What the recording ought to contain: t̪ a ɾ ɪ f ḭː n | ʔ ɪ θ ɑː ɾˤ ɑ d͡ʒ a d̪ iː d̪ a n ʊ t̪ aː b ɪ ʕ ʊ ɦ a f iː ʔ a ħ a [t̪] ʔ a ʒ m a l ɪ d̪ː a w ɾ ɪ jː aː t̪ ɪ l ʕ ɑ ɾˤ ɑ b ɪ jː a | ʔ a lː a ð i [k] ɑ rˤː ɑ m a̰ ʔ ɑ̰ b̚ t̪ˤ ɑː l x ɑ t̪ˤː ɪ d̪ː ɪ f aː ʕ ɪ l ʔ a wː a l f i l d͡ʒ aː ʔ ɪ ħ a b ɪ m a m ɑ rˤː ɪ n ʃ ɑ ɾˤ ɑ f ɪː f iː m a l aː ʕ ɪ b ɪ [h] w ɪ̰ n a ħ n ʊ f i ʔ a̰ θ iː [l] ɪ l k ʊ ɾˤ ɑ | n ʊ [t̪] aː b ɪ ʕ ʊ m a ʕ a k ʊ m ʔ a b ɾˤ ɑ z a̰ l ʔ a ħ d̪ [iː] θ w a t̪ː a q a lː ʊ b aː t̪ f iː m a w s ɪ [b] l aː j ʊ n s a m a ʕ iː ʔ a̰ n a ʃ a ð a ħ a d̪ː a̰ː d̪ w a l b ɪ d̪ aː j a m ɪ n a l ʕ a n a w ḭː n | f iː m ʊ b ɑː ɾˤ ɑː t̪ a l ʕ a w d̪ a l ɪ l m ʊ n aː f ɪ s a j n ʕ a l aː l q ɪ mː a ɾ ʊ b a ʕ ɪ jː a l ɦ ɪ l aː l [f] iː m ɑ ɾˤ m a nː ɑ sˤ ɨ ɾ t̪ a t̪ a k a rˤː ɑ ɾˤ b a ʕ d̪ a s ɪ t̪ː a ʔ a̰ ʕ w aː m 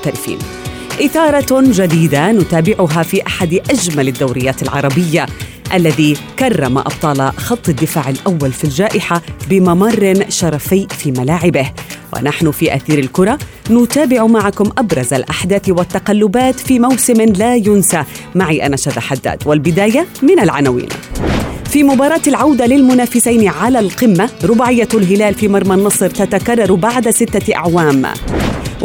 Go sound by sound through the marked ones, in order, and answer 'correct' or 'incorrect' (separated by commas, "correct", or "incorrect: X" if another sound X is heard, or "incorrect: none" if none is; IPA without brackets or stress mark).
incorrect: d̪, correct, correct, incorrect: ɾ, correct, incorrect: aː, incorrect: m, correct